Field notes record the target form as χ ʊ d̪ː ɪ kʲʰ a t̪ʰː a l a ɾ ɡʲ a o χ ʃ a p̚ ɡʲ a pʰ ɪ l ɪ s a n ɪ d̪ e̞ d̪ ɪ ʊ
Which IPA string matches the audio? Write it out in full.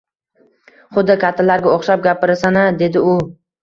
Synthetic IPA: χ ʊ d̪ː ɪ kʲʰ a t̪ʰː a l a ɾ ɡʲ a o χ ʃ a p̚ ɡʲ a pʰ ɪ ɾ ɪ s a n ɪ d̪ e̞ d̪ ɪ ʊ

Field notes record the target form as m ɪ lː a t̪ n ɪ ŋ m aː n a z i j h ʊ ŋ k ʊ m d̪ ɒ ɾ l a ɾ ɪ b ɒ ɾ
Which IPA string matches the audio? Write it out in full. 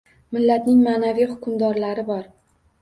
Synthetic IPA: m ɪ lː a t̪ n ɪ ŋ m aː n a v i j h ʊ k ʊ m d̪ ɒ ɾ l a ɾ ɪ b ɒ ɾ

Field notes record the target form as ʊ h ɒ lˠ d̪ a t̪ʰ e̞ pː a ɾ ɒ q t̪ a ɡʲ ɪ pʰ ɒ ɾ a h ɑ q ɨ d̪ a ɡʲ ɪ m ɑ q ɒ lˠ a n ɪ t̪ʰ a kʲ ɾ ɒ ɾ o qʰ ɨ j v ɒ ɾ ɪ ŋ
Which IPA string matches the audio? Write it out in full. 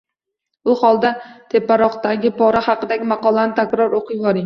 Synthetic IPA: ʊ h ɒ lˠ d̪ a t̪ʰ e̞ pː a ɾ ɒ q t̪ a ɡʲ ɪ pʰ ɒ ɾ a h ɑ q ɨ d̪ a ɡʲ ɪ m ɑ q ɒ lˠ a n ɪ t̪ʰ a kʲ ɾ ɒ ɾ o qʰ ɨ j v ɒ ɾ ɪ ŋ

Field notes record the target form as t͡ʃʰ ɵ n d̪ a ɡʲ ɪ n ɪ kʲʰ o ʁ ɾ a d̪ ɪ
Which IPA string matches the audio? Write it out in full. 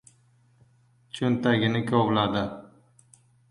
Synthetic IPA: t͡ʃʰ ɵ n t̪ a ɡʲ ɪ n ɪ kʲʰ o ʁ l a d̪ ɪ

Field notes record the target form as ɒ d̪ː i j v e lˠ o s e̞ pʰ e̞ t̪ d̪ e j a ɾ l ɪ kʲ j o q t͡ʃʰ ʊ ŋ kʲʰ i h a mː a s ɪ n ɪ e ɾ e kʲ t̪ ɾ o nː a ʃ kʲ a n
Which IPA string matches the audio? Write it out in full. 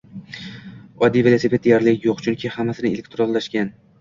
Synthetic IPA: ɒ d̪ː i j v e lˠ o s e̞ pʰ e̞ t̪ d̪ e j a ɾ l ɪ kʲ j o q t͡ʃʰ ʊ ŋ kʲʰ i h a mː a s ɪ n ɪ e l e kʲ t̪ ɾ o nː a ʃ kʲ a n

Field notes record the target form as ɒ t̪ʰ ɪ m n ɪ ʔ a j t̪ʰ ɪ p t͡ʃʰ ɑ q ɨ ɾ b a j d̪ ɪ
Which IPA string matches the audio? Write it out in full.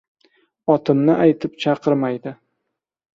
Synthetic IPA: ɒ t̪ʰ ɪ m n ɪ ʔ a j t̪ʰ ɪ p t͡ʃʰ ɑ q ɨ ɾ m a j d̪ ɪ

